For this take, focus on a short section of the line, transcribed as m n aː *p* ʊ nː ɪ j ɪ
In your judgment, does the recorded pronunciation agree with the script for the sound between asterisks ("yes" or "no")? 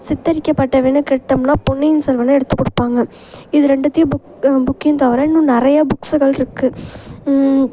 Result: yes